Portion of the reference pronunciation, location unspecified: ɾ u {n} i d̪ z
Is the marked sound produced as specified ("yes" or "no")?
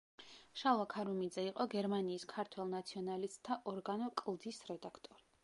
no